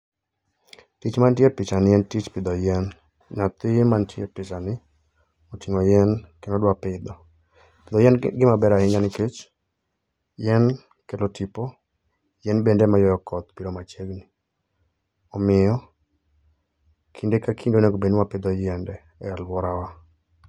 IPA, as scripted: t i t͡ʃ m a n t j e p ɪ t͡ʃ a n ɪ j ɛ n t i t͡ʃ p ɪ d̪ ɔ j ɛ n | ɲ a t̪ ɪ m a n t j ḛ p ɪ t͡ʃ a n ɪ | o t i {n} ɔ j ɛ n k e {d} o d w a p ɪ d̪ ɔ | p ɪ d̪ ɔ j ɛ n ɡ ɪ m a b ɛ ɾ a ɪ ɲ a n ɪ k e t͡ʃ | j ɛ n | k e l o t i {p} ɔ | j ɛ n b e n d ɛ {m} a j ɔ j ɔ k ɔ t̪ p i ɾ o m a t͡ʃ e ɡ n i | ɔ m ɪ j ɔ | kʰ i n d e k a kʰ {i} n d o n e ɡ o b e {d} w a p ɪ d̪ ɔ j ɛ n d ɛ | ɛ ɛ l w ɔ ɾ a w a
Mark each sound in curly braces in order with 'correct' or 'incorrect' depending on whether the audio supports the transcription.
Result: incorrect, incorrect, correct, correct, correct, incorrect

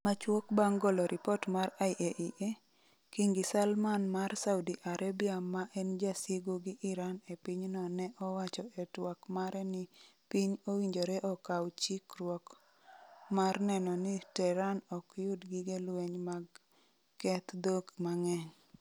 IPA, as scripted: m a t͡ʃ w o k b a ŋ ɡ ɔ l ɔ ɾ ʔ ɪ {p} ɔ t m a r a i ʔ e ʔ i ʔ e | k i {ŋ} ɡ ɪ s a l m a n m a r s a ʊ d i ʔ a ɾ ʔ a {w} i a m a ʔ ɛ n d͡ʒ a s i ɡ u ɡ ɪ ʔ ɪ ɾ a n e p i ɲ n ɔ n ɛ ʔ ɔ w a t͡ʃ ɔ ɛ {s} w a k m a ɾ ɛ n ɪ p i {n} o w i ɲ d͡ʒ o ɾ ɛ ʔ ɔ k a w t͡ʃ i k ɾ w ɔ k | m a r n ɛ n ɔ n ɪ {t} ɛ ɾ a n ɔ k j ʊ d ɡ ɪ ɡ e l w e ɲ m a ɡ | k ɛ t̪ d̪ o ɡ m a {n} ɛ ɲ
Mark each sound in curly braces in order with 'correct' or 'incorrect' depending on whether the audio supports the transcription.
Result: correct, correct, incorrect, incorrect, incorrect, correct, incorrect

